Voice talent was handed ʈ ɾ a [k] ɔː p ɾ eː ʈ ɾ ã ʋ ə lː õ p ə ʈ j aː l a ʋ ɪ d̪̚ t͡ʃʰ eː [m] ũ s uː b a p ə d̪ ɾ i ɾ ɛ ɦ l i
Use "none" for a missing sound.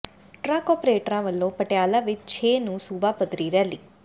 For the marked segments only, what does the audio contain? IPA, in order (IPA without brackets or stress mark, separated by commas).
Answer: k, n